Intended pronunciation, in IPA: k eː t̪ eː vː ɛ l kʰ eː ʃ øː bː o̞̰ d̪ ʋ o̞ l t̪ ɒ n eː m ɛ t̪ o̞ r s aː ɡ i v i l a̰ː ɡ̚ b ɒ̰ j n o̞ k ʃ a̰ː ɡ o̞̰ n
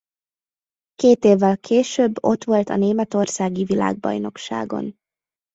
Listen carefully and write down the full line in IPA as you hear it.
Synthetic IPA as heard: k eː t̪ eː vː ɛ l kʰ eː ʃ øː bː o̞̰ t̪ ʋ o̞ l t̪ ɒ n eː m ɛ t̪ o̞ r s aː ɡ i v i l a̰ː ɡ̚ b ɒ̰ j n o̞ k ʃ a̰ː ɡ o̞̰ n

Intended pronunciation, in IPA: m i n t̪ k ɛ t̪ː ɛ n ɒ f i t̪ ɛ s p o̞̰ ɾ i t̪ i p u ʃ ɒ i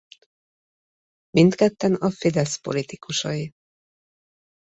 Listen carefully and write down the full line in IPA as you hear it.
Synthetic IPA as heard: m i n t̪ k ɛ t̪ː ɛ n ɒ f i d̪ ɛ s p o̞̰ l i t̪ i k u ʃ ɒ i

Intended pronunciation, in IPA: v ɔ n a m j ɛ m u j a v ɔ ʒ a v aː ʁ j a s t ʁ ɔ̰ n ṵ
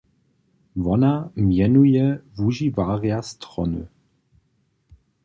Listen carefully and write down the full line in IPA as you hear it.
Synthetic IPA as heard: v ɔ n a m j ɛ n u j ɛ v u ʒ i v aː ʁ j a s t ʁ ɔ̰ n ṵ

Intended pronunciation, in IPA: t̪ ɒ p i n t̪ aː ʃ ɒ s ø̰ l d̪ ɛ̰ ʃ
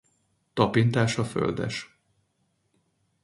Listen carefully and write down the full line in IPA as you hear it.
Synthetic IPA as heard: t̪ ɒ p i n t̪ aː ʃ ɒ f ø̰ l d̪ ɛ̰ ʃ

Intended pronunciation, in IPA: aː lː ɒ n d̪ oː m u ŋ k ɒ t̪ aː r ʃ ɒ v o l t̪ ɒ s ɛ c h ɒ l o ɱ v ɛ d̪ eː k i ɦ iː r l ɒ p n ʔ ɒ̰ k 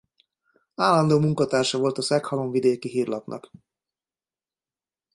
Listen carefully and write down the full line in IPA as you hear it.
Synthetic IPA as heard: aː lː ɒ n d̪ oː m u ŋ k ɒ t̪ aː r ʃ ɒ v o l t̪ ɒ s ɛ k h ɒ l o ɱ v i d̪ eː k i ɦ iː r l ɒ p n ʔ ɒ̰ k

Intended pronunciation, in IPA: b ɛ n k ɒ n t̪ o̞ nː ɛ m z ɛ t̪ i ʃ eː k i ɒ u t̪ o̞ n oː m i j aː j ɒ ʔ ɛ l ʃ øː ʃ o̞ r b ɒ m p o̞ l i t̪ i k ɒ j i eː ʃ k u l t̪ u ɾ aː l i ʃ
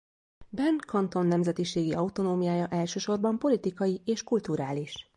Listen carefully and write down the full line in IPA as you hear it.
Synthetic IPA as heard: b ɛ n k ɒ n t̪ o̞ nː ɛ m z ɛ t̪ i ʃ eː ɡ i ɒ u t̪ o̞ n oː m i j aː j ɒ ʔ ɛ l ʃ øː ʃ o̞ r b ɒ m p o̞ l i t̪ i k ɒ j i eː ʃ k u l t̪ u ɾ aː l i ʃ

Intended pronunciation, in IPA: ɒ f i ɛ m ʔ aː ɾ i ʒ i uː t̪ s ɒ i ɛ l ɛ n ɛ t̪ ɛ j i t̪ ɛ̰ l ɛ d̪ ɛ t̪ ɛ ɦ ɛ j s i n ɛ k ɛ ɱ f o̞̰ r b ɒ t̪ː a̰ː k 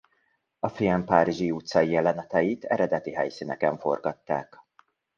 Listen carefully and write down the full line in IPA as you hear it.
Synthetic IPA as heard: ɒ f i ɛ m p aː ɾ i ʒ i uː t̪ s ɒ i ɛ l ɛ n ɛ t̪ ɛ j i t̪ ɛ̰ ɾ ɛ d̪ ɛ t̪ i ɦ ɛ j s i n ɛ k ɛ ɱ f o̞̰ r ɡ ɒ t̪ː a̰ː k

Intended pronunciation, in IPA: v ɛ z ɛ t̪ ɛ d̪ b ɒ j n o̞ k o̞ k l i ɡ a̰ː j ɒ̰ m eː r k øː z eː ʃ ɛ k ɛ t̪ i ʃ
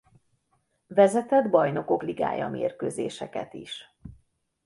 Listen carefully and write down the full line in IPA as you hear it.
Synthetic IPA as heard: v ɛ z ɛ t̪ ɛ d̪ b ɒ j n o̞ k o̞ k l i ɡ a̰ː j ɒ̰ m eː r k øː z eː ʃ ɛ k ɛ t̪ i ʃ

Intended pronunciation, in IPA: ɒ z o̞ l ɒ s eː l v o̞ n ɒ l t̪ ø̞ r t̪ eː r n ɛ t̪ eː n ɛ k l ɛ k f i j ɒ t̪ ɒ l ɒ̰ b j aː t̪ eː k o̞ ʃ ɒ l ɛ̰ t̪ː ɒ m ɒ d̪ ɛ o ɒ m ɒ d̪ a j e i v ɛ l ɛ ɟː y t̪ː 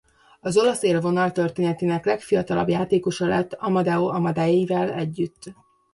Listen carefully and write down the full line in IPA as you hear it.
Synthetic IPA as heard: ɒ z o̞ l ɒ s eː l v o̞ n ɒ l t̪ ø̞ r t̪ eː n ɛ t̪ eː n ɛ k l ɛ k f i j ɒ t̪ ɒ l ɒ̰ b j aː t̪ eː k o̞ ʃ ɒ l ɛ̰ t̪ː ɒ m ɒ d̪ ɛ o ɒ m ɒ d̪ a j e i v ɛ l ɛ ɟː y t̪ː

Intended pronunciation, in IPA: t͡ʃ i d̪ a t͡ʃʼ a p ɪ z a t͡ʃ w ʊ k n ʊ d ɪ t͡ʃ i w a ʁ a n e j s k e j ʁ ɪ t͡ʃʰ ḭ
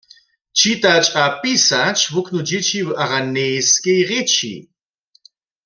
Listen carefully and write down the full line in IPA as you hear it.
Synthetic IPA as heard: t͡ʃ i t̪ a t͡ʃʼ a p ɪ s a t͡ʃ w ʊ k n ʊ d͡ʒ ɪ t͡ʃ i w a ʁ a n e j s k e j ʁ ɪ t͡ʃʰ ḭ

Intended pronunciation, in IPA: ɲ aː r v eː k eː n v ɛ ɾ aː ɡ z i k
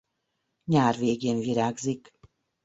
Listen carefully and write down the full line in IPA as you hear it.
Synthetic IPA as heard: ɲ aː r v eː ɡ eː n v i ɾ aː ɡ z i k

